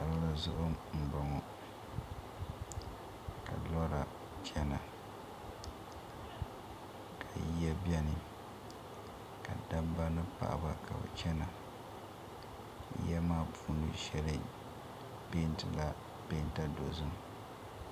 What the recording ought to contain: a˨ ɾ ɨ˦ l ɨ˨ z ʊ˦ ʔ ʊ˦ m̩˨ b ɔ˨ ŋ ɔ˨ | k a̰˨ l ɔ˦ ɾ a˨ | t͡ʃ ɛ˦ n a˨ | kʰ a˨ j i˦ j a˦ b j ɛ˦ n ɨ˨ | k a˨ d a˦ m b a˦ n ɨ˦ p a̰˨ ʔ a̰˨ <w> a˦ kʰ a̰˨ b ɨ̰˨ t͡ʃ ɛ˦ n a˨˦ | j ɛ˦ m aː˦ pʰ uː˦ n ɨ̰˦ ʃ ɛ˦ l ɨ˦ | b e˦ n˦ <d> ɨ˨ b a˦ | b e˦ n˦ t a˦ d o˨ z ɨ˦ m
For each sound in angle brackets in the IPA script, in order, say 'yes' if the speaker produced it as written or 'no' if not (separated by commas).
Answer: no, no